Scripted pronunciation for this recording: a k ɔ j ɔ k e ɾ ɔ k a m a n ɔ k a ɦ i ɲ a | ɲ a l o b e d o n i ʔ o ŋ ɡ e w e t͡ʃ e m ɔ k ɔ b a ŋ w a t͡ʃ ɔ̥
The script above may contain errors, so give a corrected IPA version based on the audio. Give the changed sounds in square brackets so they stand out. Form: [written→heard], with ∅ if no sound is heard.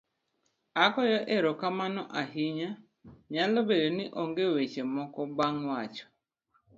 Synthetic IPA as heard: a k ɔ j ɔ [k→ʔ] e ɾ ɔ k a m a n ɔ [k→ʔ] a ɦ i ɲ a | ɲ a l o b e d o n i ʔ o ŋ ɡ e w e t͡ʃ e m ɔ k ɔ b a ŋ w a t͡ʃ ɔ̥